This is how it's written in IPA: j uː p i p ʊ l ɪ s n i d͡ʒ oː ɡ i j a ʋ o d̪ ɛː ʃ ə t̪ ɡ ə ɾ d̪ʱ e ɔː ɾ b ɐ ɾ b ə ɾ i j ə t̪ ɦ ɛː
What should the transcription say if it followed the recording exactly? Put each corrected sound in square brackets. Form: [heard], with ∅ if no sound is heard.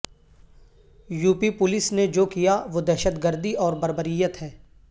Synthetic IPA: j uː p i p ʊ l ɪ s n [e] d͡ʒ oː [k] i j a ʋ o d̪ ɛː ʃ ə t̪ ɡ ə ɾ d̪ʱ [i] ɔː ɾ b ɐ ɾ b ə ɾ i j ə t̪ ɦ ɛː